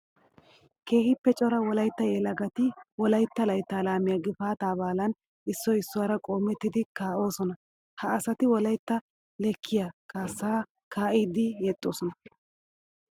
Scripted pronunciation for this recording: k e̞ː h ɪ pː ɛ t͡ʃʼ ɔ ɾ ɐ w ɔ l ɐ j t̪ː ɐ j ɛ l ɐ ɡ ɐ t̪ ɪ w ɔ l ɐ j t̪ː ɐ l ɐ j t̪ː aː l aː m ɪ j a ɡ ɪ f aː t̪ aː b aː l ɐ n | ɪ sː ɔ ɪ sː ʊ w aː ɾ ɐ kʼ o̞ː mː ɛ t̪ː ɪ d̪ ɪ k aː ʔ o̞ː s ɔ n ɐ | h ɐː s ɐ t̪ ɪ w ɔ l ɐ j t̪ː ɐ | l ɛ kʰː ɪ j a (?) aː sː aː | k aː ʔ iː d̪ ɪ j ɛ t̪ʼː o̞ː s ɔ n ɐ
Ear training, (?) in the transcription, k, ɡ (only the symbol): k